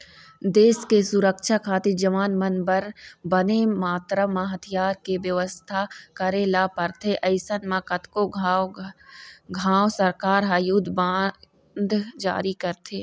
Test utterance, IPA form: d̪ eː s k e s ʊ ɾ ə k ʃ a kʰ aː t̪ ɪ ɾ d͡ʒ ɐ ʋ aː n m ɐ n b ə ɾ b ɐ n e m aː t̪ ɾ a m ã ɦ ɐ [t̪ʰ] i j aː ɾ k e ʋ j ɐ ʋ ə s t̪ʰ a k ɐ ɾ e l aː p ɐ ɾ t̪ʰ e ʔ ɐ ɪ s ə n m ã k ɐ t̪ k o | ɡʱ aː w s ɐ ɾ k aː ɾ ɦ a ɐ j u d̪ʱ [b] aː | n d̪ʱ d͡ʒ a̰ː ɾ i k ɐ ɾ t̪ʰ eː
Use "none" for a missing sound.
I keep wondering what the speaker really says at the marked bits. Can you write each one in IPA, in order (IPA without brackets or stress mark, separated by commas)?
t̪ʰ, b